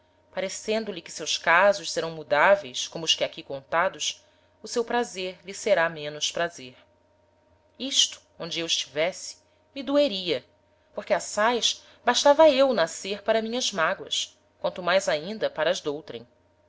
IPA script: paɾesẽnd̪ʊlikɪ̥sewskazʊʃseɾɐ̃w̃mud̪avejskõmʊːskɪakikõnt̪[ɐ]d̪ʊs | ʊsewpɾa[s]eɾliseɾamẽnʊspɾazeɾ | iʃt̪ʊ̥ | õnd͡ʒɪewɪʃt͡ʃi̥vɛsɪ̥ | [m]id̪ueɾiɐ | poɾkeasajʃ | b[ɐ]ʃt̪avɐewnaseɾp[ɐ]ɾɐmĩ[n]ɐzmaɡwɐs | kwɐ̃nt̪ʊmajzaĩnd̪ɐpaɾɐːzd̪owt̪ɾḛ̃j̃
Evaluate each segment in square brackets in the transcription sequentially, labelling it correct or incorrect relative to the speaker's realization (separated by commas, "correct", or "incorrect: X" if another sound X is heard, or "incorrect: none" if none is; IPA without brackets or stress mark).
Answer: incorrect: a, incorrect: z, correct, incorrect: a, incorrect: a, incorrect: ɲ